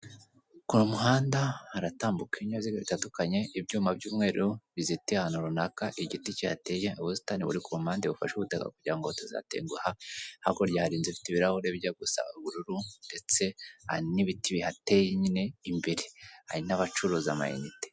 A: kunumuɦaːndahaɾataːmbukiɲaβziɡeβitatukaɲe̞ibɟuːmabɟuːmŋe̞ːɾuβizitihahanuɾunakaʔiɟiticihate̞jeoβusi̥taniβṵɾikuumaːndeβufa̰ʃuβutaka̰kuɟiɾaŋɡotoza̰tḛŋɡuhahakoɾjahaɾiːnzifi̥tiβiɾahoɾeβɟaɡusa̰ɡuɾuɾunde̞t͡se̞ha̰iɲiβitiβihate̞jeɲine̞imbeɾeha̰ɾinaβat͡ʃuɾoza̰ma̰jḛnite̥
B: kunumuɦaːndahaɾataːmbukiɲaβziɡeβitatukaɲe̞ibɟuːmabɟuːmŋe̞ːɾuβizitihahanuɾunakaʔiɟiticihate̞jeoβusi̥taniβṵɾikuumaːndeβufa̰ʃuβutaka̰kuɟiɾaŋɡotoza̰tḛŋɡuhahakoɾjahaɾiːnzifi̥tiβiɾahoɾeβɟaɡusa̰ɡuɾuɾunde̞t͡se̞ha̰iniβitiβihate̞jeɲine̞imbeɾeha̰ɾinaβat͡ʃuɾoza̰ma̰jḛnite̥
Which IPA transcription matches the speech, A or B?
B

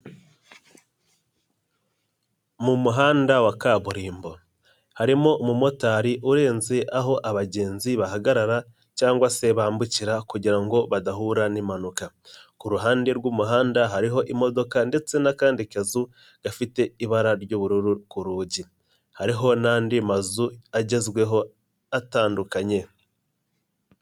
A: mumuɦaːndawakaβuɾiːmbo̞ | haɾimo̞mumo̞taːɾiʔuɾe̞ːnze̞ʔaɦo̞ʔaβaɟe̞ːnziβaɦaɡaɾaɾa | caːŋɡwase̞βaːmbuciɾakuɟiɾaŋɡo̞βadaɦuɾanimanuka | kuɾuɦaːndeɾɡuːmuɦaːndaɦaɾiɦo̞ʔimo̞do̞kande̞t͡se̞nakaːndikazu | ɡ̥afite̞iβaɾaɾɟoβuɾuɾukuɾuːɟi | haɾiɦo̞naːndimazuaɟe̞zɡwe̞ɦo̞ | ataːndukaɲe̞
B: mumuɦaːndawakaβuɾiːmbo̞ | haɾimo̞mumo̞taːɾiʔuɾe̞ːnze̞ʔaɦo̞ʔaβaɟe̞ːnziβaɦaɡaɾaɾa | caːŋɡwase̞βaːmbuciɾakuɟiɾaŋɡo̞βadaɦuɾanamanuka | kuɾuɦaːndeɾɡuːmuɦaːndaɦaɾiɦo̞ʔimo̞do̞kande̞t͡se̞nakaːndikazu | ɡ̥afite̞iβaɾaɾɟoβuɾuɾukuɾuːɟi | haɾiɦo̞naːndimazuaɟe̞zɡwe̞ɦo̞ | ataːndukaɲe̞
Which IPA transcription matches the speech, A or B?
A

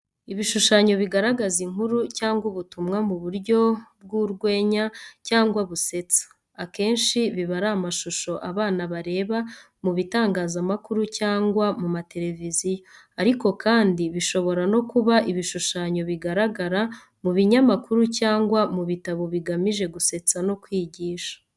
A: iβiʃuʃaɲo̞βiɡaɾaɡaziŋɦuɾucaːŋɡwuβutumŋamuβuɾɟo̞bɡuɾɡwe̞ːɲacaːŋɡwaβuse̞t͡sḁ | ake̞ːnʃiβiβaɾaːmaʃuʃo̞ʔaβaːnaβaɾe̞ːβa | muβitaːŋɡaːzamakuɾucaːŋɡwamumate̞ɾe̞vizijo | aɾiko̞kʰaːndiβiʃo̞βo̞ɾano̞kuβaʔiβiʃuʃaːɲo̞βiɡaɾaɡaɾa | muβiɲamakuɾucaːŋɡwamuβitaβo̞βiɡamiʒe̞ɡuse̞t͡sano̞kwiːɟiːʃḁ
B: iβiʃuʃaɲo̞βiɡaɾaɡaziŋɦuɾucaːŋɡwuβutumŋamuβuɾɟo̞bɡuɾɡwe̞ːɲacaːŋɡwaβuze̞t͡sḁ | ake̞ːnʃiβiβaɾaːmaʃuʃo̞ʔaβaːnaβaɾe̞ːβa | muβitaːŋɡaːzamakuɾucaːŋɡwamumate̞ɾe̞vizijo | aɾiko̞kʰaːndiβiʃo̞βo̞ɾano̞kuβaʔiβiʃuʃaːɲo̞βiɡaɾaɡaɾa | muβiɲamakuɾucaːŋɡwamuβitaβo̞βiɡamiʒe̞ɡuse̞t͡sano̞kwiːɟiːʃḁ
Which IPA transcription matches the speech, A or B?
A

